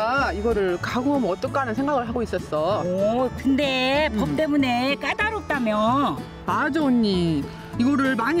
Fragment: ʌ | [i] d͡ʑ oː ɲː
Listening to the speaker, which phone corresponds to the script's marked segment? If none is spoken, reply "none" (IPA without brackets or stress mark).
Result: a